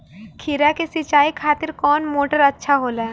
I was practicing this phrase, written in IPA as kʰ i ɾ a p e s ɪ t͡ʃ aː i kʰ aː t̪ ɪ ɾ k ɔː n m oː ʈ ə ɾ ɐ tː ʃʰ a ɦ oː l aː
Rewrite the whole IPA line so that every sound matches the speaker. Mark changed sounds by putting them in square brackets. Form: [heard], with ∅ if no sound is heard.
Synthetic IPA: kʰ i ɾ a [k] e s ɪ t͡ʃ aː i kʰ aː t̪ ɪ ɾ k ɔː n m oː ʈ ə ɾ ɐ tː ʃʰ a ɦ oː l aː